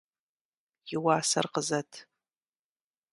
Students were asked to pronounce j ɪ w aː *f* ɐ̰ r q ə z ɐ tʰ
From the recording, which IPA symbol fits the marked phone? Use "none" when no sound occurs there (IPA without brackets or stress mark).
s